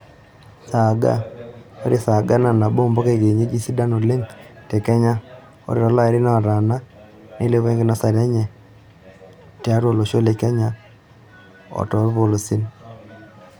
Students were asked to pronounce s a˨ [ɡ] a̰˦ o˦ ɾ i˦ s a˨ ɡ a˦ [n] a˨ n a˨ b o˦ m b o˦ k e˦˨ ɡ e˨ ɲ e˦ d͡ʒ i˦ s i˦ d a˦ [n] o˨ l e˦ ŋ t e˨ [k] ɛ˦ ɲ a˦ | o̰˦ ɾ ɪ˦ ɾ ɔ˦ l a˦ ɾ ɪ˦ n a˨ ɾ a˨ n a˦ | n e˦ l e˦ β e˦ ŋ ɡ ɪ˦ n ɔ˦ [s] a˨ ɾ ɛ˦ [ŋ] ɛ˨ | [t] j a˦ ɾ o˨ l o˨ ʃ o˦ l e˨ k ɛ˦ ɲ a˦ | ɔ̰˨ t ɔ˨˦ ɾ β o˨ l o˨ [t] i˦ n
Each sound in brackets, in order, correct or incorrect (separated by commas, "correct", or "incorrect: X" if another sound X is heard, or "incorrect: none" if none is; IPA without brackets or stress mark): correct, correct, correct, correct, correct, incorrect: ɲ, correct, incorrect: s